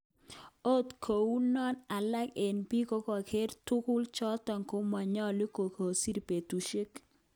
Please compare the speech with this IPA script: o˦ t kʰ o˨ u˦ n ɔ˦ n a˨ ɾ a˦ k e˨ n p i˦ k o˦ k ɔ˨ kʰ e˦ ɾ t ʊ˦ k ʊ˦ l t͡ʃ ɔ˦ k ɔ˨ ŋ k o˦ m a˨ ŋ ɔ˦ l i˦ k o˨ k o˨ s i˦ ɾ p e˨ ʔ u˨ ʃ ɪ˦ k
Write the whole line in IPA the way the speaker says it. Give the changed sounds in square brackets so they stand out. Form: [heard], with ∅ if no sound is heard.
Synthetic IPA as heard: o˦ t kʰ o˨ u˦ n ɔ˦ n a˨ [l] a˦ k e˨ n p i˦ k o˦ k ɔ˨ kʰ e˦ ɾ t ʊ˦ k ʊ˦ l t͡ʃ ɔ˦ [t] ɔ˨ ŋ k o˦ m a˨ [ɲ] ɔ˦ l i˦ k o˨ k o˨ s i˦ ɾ p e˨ [t] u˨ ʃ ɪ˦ k

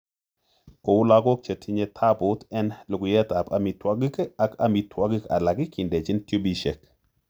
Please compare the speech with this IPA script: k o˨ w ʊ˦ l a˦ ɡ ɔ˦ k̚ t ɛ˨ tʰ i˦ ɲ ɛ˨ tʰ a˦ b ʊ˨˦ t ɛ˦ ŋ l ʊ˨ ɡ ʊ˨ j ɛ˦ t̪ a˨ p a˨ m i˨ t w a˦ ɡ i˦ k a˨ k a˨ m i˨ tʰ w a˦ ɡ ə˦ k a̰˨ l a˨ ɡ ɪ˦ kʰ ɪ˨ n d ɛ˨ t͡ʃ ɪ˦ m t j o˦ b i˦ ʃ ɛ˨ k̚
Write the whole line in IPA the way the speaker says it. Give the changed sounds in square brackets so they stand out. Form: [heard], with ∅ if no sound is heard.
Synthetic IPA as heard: k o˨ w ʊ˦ l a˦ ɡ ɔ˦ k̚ [t͡ʃ] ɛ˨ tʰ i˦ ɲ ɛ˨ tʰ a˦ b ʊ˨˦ t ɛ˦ [n] l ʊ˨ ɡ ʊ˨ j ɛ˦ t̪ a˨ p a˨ m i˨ t w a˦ ɡ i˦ k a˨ k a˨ m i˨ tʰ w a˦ ɡ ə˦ k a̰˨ l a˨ ɡ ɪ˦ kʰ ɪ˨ n d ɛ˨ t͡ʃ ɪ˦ [n] t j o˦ b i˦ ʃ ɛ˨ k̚

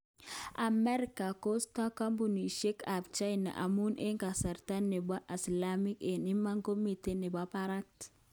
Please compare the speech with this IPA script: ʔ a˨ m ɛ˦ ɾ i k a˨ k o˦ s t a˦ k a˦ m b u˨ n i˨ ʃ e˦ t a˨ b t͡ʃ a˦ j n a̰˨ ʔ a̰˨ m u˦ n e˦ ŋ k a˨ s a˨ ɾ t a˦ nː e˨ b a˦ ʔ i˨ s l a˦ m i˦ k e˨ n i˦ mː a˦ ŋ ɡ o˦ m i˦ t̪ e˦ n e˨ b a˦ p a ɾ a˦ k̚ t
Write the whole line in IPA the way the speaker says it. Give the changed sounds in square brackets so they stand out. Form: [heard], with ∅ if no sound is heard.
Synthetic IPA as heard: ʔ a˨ m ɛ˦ ɾ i k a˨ k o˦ s t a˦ k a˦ m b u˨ n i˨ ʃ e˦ [k] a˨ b t͡ʃ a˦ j n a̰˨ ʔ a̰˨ m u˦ n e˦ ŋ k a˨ s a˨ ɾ t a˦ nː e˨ b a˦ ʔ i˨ s l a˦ m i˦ k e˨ n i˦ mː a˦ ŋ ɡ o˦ m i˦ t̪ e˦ n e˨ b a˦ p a ɾ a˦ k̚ t

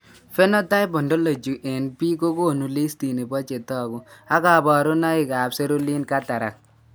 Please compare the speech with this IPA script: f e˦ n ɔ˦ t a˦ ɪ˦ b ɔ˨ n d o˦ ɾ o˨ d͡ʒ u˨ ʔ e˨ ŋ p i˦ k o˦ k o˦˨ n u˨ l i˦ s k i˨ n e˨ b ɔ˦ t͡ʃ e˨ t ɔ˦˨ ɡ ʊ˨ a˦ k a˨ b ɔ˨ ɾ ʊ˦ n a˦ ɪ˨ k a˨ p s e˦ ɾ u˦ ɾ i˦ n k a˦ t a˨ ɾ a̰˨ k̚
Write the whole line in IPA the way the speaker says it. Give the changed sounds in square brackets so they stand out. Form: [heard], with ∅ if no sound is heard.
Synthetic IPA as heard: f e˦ n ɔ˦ t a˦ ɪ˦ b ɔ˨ n d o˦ [l] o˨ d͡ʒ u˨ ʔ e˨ [n] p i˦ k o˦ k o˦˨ n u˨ l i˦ s [t] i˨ n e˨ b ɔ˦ t͡ʃ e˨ t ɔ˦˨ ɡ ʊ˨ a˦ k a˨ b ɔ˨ ɾ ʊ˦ n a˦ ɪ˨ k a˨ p s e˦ ɾ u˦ [l] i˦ n k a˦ t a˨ ɾ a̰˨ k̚

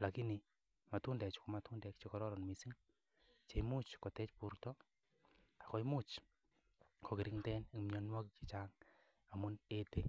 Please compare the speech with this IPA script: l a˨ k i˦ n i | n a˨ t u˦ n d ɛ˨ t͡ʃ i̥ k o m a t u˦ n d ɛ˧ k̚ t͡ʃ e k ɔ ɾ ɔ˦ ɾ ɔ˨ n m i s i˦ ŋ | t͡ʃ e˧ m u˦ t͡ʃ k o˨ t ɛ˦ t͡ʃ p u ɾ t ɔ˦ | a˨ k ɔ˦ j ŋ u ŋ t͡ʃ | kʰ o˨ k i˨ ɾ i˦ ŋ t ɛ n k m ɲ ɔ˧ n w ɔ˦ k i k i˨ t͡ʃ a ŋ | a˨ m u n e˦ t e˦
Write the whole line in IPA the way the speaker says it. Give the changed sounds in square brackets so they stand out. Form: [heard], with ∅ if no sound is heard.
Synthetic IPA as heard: l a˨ k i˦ n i | [m] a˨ t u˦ n d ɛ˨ t͡ʃ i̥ k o m a t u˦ n d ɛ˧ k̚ t͡ʃ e k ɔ ɾ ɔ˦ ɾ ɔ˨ n m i s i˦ ŋ | t͡ʃ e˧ m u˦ t͡ʃ k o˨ t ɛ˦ t͡ʃ p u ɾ t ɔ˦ | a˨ k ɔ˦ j [m] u [∅] t͡ʃ | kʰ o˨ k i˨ ɾ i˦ ŋ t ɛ n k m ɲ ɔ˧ n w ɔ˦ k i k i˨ t͡ʃ a ŋ | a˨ m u n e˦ t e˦

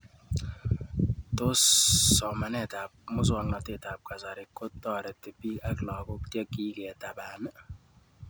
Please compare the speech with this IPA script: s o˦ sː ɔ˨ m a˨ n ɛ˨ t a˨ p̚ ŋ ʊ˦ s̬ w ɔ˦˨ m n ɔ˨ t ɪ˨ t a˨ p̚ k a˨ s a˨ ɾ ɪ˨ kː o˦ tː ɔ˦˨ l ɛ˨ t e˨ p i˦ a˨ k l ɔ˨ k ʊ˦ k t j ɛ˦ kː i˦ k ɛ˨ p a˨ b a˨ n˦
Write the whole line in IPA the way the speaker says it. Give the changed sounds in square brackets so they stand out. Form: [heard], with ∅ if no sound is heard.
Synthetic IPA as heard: [t] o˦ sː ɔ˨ m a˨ n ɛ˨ t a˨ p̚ [m] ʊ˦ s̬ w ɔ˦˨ [ŋ] n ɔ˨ t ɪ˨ t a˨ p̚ k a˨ s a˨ ɾ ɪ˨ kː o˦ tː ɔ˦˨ [ɾ] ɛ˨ t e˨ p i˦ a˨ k l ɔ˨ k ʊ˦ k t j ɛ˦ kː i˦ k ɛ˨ [t] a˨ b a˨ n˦

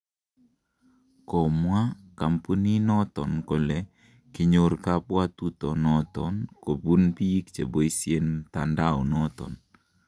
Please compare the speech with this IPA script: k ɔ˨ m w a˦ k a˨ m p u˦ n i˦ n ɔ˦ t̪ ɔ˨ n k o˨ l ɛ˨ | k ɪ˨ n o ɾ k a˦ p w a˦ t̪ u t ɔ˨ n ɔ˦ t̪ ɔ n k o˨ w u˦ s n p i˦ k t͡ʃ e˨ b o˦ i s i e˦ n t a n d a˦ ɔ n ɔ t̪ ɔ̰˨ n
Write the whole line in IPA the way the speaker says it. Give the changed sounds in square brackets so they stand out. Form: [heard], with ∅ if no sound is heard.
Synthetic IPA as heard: k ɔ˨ m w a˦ k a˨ m p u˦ n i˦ n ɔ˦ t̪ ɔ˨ n k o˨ l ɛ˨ | k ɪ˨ [ɲ] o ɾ k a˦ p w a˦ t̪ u t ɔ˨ n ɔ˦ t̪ ɔ n k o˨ [b] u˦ [∅] n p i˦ k t͡ʃ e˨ b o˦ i s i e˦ n t a n d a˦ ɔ n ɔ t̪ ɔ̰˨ n

